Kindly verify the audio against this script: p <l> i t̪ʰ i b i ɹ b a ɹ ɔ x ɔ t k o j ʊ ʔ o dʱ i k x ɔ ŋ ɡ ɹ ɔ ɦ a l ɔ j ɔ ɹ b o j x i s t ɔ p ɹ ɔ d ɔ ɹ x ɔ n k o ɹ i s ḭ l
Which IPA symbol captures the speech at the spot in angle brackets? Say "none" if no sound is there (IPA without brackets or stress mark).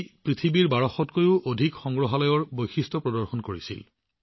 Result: ɹ